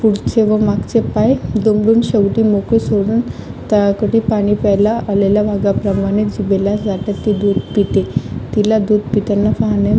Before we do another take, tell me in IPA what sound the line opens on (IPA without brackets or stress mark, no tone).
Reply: p